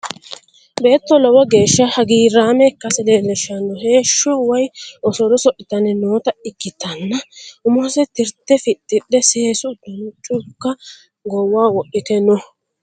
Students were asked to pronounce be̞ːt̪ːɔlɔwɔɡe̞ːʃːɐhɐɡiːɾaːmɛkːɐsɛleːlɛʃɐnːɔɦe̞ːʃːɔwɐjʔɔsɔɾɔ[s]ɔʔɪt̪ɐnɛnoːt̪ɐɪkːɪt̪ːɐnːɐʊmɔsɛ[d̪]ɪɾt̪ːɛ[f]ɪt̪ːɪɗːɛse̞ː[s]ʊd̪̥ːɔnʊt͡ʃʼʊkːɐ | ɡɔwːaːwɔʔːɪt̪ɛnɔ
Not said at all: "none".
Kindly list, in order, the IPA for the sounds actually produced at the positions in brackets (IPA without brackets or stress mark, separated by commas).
s, t̪, f, s